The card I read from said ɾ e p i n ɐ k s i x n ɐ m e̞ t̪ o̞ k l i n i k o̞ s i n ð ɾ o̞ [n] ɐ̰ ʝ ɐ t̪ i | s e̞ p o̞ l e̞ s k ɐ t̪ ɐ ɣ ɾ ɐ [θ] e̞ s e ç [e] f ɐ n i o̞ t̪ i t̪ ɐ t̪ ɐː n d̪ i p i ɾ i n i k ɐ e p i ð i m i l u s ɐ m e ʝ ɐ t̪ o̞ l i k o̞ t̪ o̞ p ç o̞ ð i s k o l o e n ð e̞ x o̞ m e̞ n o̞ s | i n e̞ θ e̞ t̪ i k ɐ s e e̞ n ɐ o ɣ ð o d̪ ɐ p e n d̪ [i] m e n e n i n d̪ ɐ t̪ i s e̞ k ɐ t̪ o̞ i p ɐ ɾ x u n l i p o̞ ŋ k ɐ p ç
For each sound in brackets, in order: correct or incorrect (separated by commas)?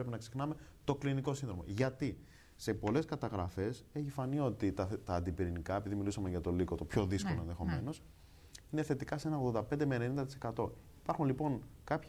incorrect, incorrect, incorrect, incorrect